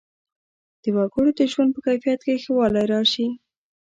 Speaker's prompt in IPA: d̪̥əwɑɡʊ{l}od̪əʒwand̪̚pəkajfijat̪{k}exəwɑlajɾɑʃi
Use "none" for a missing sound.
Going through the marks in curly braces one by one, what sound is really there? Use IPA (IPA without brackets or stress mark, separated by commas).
ɽ, k